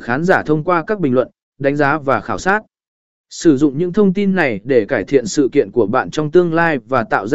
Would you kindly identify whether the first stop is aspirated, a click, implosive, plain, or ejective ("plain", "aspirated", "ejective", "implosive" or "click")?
aspirated